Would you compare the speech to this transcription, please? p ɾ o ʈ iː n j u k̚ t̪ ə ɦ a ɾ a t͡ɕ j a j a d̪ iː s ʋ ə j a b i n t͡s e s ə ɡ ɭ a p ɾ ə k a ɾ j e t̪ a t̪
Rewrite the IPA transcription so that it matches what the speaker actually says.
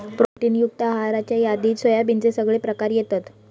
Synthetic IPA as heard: p ɾ o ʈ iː n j u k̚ t̪ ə ɦ a ɾ a t͡ɕ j a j a d̪ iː s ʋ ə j a b i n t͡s e s ə ɡ ɭ e p ɾ ə k a ɾ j e t̪ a t̪